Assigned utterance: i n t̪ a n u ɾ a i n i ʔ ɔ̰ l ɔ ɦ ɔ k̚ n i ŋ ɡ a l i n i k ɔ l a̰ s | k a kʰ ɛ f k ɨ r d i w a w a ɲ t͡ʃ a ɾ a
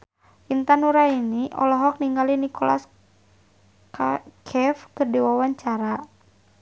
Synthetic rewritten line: i n t̪ a n u ɾ a i n i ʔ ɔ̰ l ɔ ɦ ɔ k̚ n i ŋ ɡ a l i n i k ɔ l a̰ s | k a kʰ ɛ f k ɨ r d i w a w a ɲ t͡ʃ a ɾ a